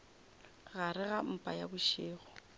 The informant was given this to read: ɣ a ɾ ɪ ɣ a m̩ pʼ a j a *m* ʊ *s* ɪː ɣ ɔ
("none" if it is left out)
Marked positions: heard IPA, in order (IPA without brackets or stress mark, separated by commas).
b, ʃ